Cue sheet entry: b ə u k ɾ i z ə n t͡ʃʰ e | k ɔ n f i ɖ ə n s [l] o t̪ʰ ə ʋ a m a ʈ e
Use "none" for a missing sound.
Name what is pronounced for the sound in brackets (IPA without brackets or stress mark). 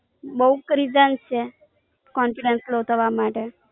l